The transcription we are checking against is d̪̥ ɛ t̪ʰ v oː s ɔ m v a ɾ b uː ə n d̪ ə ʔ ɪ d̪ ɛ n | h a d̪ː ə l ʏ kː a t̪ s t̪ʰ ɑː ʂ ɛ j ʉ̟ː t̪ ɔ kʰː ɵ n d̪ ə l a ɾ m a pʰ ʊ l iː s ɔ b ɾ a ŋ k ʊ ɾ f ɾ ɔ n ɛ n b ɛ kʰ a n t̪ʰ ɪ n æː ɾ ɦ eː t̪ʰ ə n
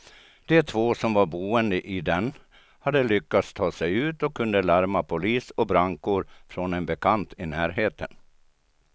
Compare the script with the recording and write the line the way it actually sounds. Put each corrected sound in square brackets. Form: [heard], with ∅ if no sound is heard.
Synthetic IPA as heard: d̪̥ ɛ t̪ʰ v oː s ɔ m v a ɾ b uː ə n d̪ ə ʔ ɪ d̪ ɛ n | h a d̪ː ə l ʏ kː a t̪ s t̪ʰ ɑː [s] ɛ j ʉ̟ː t̪ ɔ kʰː ɵ n d̪ ə l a ɾ m a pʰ ʊ l iː s ɔ b ɾ a ŋ k ʊ ɾ f ɾ ɔ n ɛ n b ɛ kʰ a n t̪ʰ ɪ n æː ɾ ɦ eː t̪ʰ ə n